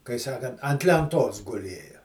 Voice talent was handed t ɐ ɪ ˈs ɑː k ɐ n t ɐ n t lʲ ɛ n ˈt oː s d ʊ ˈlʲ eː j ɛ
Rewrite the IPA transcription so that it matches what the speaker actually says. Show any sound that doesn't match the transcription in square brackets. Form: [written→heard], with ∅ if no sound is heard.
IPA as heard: [t→k] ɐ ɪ ˈs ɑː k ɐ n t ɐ n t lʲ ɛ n ˈt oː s [d→ɡ] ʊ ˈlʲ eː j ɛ